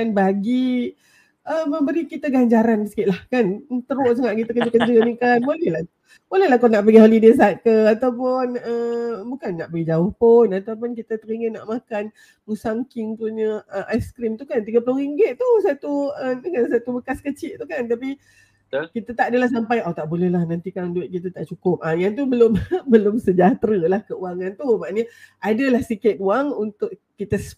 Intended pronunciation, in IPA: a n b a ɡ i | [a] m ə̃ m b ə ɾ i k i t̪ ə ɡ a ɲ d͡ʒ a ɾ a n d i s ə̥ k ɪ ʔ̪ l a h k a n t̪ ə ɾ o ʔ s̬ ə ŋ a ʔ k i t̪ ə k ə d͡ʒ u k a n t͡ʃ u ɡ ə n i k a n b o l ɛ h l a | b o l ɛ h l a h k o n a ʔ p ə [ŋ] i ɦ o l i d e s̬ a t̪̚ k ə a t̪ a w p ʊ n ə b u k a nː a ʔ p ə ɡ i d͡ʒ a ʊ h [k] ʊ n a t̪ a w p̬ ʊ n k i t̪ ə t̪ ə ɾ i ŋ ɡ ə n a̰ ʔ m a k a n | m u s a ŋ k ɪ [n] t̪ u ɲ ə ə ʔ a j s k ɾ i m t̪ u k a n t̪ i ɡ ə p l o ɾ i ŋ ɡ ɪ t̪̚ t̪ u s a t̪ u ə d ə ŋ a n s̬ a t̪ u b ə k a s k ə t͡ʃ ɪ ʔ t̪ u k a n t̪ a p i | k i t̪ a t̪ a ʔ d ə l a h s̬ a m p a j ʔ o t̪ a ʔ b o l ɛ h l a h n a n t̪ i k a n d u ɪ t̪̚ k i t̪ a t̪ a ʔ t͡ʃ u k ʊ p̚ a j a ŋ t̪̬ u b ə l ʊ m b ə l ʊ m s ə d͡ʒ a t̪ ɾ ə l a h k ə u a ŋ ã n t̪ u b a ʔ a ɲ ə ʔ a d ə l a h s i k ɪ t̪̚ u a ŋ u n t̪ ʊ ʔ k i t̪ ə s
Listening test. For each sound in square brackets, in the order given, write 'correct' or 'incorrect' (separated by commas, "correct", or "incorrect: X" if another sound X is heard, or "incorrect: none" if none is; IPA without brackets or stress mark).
incorrect: ə, incorrect: ɡ, incorrect: p, incorrect: ŋ